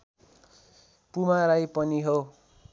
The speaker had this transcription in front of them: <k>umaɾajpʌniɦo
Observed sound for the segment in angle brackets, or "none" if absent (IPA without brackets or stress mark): p